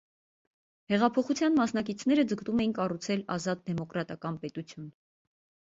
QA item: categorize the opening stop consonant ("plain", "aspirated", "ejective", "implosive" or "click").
aspirated